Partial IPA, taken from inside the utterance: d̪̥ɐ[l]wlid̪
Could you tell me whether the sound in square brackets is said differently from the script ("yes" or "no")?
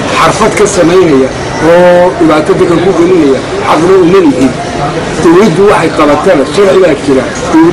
yes